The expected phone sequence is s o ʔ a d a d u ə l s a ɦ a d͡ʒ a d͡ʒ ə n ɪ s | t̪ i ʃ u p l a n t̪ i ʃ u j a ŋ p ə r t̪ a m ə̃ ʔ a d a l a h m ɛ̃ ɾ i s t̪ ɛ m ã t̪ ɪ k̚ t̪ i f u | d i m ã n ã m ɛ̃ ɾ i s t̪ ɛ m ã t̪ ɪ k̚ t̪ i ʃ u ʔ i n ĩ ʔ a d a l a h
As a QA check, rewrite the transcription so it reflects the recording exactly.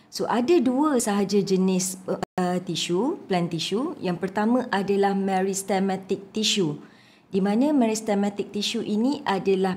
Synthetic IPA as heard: s o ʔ a d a d u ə s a ɦ a d͡ʒ a d͡ʒ ə n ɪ s | t̪ i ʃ u p l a n t̪ i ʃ u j a ŋ p ə r t̪ a m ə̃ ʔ a d a l a h m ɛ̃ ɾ i s t̪ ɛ m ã t̪ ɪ k̚ t̪ i ʃ u | d i m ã n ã m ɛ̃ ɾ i s t̪ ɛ m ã t̪ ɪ k̚ t̪ i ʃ u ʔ i n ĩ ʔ a d a l a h